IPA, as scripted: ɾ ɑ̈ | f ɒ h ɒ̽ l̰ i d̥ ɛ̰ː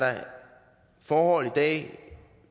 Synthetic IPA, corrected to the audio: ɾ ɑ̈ | f ɒː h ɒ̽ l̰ i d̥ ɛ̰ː